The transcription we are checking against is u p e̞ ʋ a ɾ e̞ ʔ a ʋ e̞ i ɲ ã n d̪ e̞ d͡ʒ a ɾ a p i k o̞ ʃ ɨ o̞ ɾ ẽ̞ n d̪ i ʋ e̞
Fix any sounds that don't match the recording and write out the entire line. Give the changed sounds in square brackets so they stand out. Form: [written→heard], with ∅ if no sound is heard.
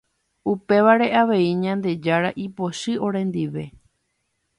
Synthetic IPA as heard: u p e̞ ʋ a ɾ e̞ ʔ a ʋ e̞ i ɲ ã n d̪ e̞ d͡ʒ a ɾ a [p→ʔ] i [k→p] o̞ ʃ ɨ o̞ ɾ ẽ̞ n d̪ i ʋ e̞